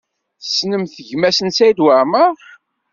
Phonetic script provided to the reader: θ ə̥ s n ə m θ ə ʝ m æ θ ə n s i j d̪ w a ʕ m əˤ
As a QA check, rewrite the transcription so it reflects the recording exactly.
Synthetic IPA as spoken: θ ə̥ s n ə m θ ə ʝ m æ s ə n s æ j d̪ w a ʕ m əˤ